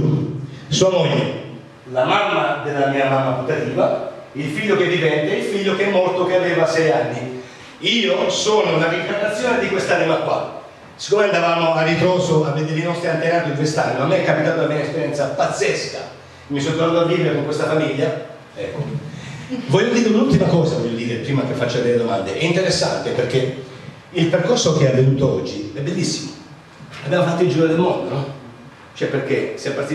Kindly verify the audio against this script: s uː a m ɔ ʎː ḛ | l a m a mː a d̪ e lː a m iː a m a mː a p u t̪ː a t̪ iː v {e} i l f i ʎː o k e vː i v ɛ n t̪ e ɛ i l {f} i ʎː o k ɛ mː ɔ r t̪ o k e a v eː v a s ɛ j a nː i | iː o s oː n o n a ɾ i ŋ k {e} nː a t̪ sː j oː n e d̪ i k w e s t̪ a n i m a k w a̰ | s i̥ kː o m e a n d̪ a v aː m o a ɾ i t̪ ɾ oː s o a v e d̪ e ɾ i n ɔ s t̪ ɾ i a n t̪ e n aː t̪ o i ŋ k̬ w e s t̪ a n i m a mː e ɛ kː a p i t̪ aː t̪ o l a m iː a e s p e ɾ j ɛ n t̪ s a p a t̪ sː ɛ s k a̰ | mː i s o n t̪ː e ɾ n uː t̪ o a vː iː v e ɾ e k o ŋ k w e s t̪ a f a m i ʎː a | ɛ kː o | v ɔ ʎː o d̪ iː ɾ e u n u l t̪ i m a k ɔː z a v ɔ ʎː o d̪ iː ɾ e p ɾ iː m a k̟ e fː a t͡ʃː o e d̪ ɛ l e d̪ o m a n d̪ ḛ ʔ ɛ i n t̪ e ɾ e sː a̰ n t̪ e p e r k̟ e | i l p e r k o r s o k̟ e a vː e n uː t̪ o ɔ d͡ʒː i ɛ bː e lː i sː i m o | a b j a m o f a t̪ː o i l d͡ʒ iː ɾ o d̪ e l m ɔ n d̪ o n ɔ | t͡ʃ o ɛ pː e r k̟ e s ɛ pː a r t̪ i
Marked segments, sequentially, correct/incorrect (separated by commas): incorrect, correct, incorrect